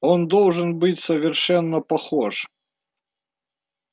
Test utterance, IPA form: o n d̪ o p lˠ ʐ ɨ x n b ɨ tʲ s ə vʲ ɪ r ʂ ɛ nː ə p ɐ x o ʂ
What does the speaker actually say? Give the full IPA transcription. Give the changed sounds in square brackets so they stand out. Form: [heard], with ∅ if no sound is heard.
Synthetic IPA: o n d̪ o [∅] lˠ ʐ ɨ [∅] n b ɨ tʲ s ə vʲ ɪ r ʂ ɛ nː ə p ɐ x o ʂ

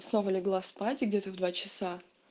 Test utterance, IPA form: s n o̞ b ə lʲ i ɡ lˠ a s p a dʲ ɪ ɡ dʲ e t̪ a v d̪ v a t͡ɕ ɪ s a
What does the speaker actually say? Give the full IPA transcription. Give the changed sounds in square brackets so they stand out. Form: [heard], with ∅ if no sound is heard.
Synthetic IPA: s n o̞ [v] ə lʲ [ɪ] ɡ lˠ a s p a [tʲ] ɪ ɡ dʲ e t̪ [ə] v d̪ v a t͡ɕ ɪ s a

